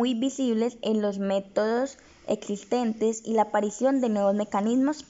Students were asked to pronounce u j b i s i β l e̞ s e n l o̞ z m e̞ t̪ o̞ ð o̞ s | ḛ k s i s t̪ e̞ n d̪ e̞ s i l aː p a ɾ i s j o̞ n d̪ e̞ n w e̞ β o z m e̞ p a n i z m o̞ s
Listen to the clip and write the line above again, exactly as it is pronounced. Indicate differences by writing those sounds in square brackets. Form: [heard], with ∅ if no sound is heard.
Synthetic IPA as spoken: u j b i s i β l e̞ s e n l o̞ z m e̞ t̪ o̞ ð o̞ s | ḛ k s i s t̪ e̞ n [t̪] e̞ s i l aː p a ɾ i s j o̞ n d̪ e̞ n w e̞ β o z m e̞ [k] a n i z m o̞ s